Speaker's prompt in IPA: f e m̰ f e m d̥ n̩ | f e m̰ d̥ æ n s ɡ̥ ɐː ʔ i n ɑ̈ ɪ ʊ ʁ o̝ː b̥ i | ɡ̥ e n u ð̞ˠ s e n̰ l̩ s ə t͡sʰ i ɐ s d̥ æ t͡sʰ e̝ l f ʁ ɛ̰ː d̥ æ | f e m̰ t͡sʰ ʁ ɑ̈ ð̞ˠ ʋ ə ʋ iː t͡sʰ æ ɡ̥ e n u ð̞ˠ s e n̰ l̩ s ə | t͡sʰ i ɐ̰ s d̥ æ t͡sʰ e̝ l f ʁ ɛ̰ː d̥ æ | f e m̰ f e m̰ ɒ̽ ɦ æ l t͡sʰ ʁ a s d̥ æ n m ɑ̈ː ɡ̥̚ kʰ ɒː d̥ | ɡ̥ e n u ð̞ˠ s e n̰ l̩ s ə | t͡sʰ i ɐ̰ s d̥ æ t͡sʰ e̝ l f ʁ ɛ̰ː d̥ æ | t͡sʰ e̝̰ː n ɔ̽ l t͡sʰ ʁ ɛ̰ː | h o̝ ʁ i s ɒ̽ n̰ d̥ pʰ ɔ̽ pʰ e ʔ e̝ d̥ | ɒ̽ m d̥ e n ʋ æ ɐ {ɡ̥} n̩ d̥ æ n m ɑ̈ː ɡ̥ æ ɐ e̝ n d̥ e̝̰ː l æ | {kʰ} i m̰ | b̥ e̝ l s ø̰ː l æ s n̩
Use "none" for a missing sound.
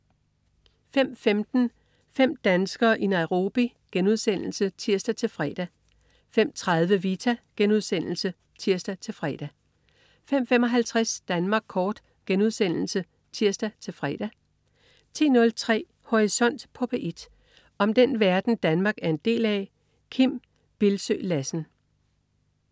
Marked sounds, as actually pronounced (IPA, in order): d̥, kʰ

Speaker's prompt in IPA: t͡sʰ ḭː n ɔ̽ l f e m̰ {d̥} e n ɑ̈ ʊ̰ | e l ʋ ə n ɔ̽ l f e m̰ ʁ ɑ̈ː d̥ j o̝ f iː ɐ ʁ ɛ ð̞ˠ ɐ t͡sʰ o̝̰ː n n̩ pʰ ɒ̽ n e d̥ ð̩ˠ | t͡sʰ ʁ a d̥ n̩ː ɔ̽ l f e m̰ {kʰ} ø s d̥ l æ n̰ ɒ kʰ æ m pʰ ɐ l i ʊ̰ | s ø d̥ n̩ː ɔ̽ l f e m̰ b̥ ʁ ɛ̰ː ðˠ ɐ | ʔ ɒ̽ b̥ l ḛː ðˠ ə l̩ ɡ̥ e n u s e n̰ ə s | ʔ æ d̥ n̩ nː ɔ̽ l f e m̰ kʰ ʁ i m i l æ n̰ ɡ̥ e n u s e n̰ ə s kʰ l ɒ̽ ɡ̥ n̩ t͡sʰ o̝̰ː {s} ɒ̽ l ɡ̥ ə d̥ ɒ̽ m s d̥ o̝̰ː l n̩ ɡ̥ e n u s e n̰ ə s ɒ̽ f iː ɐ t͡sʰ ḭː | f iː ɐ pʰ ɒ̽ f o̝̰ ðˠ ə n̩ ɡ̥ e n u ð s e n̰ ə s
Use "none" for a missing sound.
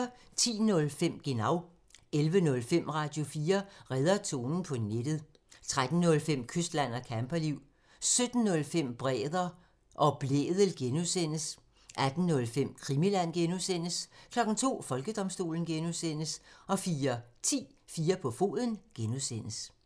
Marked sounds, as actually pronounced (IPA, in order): ɡ̥, kʰ, f

